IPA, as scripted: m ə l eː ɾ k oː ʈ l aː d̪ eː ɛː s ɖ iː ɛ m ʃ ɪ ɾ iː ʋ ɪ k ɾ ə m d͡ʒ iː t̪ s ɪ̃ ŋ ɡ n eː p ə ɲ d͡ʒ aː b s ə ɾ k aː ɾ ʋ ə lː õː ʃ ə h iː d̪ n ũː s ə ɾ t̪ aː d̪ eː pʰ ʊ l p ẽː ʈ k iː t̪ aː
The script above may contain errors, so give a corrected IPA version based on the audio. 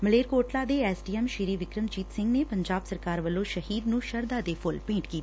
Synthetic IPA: m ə l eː ɾ k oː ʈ l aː d̪ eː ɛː s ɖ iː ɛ m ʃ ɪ ɾ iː ʋ ɪ k ɾ ə m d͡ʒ iː t̪ s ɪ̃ ŋ ɡ n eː p ə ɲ d͡ʒ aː b s ə ɾ k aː ɾ ʋ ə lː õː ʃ ə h iː d̪ n ũː ʃ ə ɾ d̪ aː d̪ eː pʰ ʊ l p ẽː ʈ k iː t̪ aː

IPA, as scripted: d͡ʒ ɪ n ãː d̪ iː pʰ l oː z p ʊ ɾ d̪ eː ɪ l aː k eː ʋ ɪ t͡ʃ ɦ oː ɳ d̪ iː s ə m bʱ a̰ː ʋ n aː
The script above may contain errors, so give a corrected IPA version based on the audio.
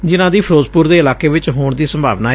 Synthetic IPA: d͡ʒ ɪ n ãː d̪ iː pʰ ɾ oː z p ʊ ɾ d̪ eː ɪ l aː k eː ʋ ɪ t͡ʃ ɦ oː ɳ d̪ iː s ə m bʱ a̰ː ʋ n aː

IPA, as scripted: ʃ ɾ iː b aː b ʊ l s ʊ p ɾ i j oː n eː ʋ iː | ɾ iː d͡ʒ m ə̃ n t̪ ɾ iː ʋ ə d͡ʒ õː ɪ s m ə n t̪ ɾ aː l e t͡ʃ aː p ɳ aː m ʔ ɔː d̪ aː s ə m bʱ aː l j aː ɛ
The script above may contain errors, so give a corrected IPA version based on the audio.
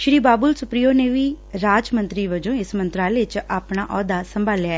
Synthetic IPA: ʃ ɾ iː b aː b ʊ l s ʊ p ɾ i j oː n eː ʋ iː | ɾ aː d͡ʒ m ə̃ n t̪ ɾ iː ʋ ə d͡ʒ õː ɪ s m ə n t̪ ɾ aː l e t͡ʃ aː p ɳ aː ʔ ɔː d̪ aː s ə m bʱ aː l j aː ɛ

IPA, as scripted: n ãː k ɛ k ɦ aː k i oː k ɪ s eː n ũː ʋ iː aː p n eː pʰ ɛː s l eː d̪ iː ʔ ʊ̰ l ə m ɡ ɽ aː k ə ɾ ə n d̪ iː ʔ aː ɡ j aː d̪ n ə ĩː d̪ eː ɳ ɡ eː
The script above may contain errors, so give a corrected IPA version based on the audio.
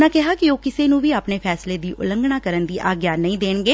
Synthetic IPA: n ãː k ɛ ɦ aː k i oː k ɪ s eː n ũː ʋ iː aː p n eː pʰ ɛː s l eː d̪ iː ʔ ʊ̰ l ə ŋ ɡ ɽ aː k ə ɾ ə n d̪ iː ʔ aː ɡ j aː n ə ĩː d̪ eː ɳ ɡ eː

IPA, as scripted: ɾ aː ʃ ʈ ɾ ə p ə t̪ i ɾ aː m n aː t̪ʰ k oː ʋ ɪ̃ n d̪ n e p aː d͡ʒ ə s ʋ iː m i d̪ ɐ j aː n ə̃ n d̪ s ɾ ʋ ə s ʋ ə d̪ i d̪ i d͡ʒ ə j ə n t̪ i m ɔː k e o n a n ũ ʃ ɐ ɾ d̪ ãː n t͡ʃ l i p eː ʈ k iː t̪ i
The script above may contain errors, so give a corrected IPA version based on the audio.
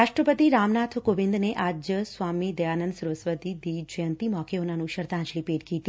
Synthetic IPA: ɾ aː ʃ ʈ ɾ ə p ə t̪ i ɾ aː m n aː t̪ʰ k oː ʋ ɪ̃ n d̪ n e ʔ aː d͡ʒ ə s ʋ aː m i d̪ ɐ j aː n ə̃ n d̪ s ɾ ʋ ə s ʋ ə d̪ i d̪ i d͡ʒ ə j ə n t̪ i m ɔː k e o n a n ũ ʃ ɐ ɾ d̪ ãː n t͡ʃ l i p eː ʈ k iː t̪ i

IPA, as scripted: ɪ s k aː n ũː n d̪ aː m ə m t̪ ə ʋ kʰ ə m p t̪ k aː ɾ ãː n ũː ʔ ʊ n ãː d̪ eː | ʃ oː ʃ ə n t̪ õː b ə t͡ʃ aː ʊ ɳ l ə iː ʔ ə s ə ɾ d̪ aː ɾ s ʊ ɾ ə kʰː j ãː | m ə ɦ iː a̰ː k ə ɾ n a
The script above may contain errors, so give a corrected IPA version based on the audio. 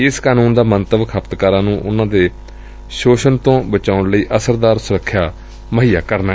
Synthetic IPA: ɪ s k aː n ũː n d̪ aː m ə n t̪ ə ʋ kʰ ə p t̪ k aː ɾ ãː n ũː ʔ ʊ n ãː d̪ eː | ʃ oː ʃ ə n t̪ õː b ə t͡ʃ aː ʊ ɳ l ə iː ʔ ə s ə ɾ d̪ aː ɾ s ʊ ɾ ə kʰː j aː | m ə ɦ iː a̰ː k ə ɾ n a

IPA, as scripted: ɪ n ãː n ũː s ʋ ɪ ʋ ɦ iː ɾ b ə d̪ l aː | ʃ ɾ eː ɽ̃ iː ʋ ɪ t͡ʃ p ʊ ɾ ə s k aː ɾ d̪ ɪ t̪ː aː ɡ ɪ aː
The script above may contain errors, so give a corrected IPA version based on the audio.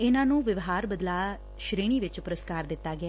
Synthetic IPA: ɪ n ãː n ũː ʋ ɪ ʋ ɦ aː ɾ b ə d̪ l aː | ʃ ɾ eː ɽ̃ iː ʋ ɪ t͡ʃ p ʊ ɾ ə s k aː ɾ d̪ ɪ t̪ː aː ɡ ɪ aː

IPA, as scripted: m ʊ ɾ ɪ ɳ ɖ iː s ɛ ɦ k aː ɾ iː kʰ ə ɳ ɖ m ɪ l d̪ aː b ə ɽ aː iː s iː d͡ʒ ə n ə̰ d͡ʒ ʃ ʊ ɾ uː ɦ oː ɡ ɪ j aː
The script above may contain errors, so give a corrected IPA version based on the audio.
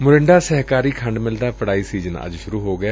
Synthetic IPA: m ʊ ɾ ɪ ɳ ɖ aː s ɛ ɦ k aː ɾ iː kʰ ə ɳ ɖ m ɪ l d̪ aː p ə ɽ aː iː s iː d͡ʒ ə n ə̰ d͡ʒ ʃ ʊ ɾ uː ɦ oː ɡ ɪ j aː

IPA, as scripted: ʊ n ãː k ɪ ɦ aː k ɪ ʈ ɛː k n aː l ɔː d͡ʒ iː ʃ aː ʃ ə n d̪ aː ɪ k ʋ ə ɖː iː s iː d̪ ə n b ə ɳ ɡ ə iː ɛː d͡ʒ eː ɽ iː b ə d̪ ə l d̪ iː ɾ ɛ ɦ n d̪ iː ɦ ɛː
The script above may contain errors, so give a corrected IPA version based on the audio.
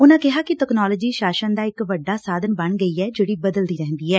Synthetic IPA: ʊ n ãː k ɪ ɦ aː k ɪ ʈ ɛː k n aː l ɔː d͡ʒ iː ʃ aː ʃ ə n d̪ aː ɪ k ʋ ə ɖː aː s aː d̪ ə n b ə ɳ ɡ ə iː ɛː d͡ʒ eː ɽ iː b ə d̪ ə l d̪ iː ɾ ɛ ɦ n d̪ iː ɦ ɛː

